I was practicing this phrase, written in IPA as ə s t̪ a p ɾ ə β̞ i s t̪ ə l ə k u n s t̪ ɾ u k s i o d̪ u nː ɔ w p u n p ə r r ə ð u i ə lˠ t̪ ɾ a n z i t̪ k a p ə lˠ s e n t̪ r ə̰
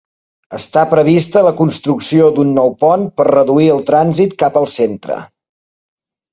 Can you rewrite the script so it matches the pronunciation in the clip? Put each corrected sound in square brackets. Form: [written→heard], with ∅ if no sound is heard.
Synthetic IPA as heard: ə s t̪ a p ɾ ə β̞ i s t̪ ə l ə k u n s t̪ ɾ u k s i o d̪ u nː ɔ w p [u→ɔ] n p ə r r ə ð u i ə lˠ t̪ ɾ a n z i t̪ k a p ə lˠ s e n t̪ [r→ɾ] ə̰